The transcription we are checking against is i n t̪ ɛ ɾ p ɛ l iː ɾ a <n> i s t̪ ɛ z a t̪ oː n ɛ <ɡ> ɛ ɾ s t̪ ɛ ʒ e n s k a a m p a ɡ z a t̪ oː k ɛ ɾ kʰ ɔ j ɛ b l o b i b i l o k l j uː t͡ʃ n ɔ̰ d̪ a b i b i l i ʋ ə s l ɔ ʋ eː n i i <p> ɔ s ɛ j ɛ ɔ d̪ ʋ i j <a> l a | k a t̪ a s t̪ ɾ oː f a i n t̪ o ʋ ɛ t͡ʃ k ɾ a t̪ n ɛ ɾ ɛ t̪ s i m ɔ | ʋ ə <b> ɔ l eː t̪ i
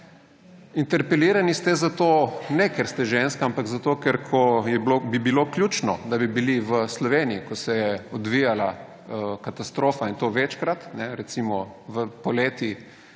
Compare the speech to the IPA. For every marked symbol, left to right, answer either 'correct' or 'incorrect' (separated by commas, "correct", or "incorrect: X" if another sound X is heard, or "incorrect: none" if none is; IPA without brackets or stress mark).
correct, incorrect: k, incorrect: k, correct, incorrect: p